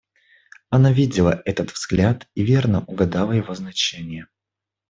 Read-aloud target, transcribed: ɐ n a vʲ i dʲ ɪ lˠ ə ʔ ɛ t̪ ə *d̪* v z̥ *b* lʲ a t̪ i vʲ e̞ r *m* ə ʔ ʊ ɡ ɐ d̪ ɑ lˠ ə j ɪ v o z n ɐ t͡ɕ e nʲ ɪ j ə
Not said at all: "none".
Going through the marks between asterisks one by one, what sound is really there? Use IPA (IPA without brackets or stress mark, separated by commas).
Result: t̪, ɡ, n